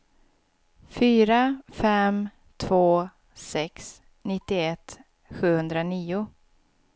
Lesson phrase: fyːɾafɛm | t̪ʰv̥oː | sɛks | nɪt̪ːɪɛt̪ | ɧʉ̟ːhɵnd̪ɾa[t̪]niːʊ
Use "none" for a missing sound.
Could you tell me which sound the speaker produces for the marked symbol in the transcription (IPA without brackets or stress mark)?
none